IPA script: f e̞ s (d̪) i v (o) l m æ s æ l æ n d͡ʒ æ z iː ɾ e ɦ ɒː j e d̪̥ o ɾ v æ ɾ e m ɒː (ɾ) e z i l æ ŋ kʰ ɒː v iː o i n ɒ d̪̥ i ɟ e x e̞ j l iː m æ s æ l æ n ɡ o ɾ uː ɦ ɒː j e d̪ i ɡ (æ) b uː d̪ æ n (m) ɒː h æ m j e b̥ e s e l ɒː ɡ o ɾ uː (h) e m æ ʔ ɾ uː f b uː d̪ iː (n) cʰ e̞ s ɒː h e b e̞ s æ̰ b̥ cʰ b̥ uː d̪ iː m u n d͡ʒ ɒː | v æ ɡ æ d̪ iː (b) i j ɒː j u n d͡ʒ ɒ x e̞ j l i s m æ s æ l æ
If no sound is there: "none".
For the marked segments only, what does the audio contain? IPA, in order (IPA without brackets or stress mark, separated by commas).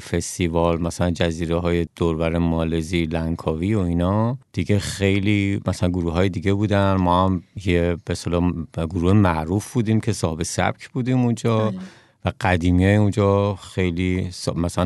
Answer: t̪, ɒ, l, e, m, h, m, m